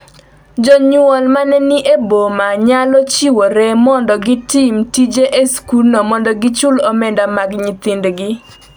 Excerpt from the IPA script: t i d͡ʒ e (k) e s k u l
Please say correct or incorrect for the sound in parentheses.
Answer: incorrect